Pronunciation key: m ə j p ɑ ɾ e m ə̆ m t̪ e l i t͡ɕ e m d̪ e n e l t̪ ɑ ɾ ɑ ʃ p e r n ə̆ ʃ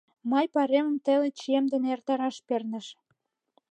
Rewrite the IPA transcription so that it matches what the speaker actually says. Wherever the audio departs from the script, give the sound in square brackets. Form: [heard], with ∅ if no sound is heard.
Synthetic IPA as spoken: m [ɑ] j p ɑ ɾ e m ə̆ m t̪ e l [e] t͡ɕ e m d̪ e n e [r] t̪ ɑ ɾ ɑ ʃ p e r n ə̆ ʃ